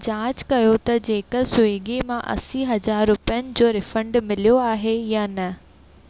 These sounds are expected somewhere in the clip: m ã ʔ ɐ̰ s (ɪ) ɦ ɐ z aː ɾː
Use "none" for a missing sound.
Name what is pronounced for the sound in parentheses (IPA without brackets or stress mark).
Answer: i